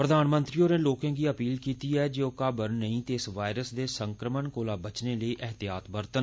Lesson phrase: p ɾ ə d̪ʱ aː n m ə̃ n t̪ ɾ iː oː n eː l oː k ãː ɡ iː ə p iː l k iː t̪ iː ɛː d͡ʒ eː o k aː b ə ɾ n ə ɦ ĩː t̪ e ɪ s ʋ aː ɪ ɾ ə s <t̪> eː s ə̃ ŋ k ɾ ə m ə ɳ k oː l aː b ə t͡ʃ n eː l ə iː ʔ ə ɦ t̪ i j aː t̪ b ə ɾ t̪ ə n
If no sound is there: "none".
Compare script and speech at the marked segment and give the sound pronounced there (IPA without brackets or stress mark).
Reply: d̪